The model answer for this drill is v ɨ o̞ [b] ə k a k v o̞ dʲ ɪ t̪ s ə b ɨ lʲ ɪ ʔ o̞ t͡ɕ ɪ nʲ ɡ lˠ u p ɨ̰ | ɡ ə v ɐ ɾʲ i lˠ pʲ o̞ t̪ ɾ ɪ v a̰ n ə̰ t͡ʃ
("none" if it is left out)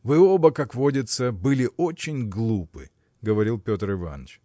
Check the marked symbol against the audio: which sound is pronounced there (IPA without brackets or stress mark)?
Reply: b